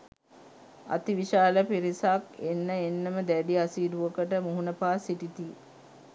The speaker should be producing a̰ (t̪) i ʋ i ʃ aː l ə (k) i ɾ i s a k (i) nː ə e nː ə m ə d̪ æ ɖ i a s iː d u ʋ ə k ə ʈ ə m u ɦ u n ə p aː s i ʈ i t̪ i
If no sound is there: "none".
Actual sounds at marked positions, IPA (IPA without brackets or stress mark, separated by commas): t̪, p, e